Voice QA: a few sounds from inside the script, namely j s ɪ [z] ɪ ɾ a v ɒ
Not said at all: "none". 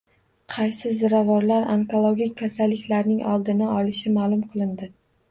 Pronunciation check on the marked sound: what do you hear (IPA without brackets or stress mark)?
z